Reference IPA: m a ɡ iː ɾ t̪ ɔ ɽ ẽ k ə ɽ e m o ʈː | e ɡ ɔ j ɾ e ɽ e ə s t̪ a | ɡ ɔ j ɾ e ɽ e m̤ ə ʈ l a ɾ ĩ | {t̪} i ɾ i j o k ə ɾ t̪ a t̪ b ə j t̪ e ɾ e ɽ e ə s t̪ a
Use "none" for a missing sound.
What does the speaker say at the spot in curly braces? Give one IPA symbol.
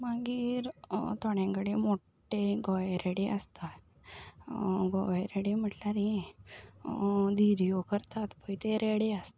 d̪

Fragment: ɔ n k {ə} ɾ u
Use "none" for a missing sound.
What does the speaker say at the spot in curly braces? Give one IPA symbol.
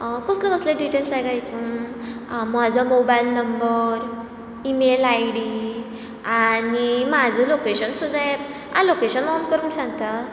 ə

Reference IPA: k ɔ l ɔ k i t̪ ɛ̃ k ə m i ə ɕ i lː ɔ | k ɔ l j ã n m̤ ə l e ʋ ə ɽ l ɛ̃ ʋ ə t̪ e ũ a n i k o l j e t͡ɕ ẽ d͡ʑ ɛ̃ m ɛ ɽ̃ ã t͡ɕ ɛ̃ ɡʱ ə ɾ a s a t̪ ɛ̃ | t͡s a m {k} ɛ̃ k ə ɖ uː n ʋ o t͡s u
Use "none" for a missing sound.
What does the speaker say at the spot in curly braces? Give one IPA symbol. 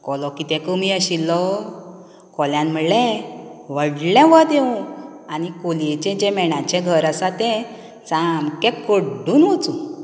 k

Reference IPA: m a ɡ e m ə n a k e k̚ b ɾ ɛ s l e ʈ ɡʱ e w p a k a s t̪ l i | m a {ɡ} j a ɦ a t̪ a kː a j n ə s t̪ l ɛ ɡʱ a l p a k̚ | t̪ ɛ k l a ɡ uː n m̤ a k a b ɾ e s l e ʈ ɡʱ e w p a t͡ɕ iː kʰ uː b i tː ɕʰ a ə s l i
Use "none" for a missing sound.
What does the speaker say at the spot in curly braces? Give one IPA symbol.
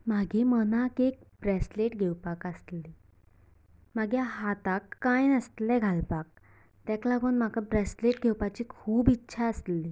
ɡ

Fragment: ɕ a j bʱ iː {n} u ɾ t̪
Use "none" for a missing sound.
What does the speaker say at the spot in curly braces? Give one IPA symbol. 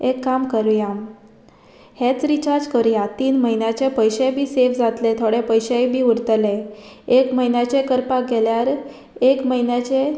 none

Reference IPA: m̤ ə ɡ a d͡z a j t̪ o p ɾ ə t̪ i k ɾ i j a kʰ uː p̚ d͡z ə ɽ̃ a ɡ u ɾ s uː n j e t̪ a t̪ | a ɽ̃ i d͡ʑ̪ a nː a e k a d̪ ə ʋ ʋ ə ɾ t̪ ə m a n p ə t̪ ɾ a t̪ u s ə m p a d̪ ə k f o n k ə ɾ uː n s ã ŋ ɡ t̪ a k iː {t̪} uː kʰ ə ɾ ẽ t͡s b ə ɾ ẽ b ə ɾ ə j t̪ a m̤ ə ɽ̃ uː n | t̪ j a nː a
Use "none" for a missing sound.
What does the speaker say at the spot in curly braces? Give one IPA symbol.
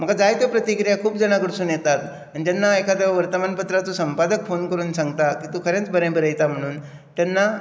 t̪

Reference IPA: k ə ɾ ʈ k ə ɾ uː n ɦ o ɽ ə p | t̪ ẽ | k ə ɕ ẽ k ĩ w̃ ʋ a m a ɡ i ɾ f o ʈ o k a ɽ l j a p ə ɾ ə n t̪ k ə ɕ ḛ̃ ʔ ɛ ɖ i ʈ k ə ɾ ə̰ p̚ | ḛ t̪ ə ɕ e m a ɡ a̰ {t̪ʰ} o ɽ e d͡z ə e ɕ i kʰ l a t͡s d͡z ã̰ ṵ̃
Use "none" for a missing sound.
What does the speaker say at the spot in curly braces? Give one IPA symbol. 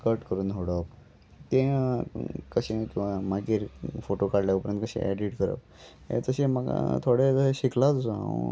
t̪ʰ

